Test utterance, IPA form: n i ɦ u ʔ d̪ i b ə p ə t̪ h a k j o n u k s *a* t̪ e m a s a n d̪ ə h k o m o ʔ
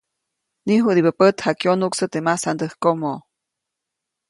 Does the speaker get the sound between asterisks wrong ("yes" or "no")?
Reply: yes